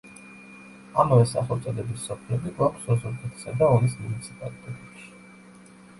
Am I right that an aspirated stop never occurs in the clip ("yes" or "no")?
no